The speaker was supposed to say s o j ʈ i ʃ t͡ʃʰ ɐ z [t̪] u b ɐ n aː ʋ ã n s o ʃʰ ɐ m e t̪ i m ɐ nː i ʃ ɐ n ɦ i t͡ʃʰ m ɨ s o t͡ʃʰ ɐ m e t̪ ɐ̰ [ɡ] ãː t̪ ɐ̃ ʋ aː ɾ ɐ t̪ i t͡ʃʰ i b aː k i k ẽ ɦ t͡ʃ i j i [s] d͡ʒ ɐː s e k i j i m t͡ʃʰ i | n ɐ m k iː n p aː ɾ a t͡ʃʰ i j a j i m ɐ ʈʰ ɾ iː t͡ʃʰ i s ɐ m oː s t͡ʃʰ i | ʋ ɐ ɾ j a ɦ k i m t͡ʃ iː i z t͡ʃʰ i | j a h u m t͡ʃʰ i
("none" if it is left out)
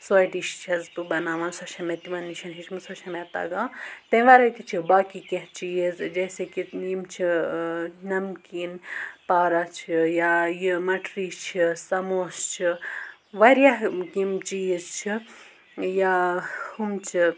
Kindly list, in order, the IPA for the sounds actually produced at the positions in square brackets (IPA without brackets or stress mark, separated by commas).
t̪, ɡ, z